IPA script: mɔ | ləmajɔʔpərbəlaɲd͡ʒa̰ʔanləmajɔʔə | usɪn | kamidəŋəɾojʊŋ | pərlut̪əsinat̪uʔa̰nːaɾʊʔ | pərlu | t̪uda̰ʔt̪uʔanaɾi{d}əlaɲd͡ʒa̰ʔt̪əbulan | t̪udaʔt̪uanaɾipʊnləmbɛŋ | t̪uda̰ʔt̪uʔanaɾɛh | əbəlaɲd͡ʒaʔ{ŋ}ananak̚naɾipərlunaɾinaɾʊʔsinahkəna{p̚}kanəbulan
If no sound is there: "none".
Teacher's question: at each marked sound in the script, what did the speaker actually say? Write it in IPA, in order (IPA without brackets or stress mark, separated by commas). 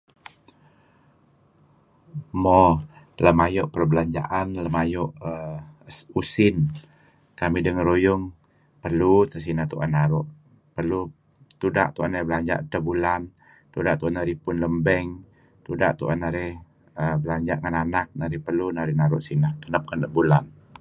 b, ŋ, p̚